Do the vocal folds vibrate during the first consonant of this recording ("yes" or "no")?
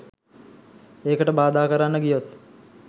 no